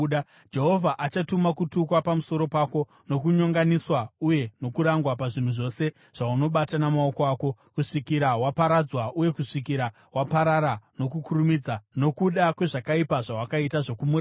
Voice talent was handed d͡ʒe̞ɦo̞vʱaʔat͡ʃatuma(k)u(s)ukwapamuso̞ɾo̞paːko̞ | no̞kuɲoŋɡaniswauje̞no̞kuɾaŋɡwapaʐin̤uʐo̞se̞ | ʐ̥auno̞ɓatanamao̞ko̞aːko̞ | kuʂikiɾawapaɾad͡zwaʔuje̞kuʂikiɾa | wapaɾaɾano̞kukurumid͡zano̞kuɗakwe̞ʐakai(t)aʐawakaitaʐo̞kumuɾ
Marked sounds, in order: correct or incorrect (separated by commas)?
correct, incorrect, incorrect